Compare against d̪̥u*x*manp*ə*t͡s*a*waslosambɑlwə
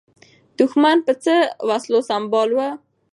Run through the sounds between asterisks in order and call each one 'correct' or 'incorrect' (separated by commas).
correct, correct, incorrect